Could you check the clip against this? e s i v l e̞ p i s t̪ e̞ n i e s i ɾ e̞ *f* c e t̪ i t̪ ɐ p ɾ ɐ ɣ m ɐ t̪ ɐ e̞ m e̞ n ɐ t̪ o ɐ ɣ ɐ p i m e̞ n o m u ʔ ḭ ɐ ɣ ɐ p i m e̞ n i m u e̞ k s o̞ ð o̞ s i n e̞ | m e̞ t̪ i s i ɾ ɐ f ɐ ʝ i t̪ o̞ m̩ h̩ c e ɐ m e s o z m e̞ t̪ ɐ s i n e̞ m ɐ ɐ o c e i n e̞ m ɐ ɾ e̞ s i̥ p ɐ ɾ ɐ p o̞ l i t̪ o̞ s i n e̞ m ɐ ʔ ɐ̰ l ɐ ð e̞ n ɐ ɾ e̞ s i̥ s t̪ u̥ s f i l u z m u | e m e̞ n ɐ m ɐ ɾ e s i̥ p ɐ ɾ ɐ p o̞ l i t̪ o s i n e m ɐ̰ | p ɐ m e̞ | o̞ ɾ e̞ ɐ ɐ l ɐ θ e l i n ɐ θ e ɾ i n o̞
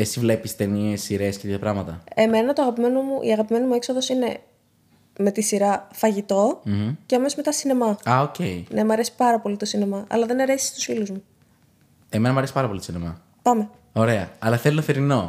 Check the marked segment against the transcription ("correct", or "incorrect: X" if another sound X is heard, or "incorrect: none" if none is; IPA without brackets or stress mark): incorrect: s